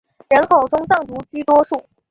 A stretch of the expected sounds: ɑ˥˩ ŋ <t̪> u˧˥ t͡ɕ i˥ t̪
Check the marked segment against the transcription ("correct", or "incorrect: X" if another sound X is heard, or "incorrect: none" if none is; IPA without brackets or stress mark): correct